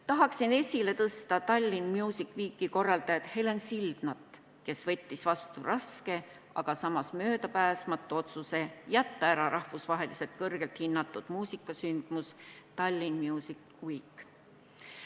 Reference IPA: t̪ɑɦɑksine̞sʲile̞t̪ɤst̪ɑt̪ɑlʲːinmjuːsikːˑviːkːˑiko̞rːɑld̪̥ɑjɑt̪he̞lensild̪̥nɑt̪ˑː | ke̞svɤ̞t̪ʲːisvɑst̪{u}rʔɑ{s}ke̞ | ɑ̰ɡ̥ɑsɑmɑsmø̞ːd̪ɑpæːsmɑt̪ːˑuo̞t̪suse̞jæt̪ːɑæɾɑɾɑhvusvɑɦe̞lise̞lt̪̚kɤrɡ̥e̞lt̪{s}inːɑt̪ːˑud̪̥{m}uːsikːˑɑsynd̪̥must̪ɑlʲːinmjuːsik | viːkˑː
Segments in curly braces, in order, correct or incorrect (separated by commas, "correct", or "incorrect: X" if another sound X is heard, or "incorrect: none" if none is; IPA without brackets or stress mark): correct, correct, incorrect: h, correct